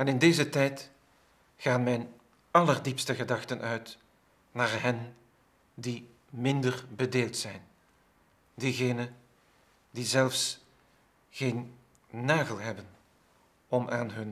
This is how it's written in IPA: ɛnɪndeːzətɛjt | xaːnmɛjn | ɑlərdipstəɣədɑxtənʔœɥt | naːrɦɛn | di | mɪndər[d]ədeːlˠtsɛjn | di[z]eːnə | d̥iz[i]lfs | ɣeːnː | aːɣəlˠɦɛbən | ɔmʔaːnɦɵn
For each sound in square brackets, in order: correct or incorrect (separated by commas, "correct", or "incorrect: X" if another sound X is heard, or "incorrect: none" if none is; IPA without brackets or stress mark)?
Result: incorrect: b, incorrect: ɣ, incorrect: ɛ